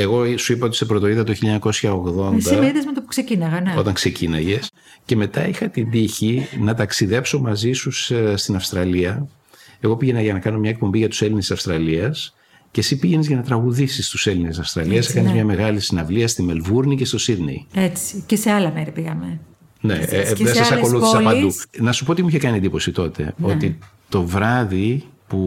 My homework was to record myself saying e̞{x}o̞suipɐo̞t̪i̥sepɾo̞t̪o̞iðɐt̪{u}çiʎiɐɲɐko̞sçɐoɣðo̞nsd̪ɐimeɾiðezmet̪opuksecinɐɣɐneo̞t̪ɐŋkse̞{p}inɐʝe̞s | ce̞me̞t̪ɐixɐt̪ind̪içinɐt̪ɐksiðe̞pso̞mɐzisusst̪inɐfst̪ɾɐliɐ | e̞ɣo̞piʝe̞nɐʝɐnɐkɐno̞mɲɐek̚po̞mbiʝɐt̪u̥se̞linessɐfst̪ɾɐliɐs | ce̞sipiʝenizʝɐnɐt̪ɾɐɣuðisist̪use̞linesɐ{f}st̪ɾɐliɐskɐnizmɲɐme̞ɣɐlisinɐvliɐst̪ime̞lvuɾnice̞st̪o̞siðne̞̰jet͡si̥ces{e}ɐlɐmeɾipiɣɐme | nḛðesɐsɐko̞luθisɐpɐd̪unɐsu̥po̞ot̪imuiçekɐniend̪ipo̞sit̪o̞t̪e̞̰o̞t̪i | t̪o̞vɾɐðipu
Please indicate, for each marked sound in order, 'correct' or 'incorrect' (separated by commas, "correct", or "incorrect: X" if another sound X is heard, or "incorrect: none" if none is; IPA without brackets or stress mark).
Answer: incorrect: ɣ, incorrect: o, incorrect: c, correct, correct